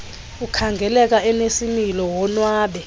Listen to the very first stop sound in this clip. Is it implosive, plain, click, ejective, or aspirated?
aspirated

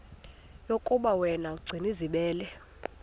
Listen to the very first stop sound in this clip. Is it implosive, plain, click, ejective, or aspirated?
ejective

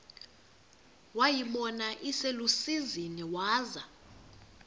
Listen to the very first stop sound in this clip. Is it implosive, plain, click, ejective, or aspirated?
implosive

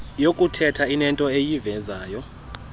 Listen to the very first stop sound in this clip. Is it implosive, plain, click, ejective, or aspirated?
ejective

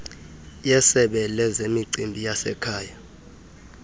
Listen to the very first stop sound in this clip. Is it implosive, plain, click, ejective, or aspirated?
implosive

